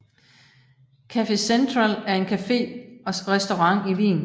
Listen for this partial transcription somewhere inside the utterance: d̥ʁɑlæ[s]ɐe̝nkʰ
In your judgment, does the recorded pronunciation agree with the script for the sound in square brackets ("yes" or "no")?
no